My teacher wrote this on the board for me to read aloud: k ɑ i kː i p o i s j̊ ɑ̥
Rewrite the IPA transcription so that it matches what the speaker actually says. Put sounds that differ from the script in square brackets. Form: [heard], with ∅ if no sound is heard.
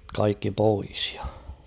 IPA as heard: k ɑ i kː i p o i s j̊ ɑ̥